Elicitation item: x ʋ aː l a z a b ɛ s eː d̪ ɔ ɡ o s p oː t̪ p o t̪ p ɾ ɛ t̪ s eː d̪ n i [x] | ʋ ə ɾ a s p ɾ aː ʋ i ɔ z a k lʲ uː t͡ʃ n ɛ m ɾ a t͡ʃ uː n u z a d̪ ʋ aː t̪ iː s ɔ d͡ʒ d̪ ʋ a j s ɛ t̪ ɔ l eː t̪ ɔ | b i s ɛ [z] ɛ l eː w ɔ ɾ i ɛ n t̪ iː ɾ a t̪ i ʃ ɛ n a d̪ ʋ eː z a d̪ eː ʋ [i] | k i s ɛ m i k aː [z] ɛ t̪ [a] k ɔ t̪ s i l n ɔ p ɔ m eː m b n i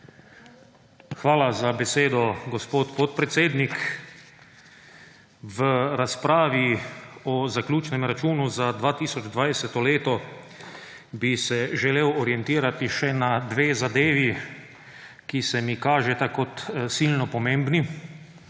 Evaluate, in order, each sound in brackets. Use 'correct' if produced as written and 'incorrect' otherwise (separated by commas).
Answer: incorrect, incorrect, correct, incorrect, correct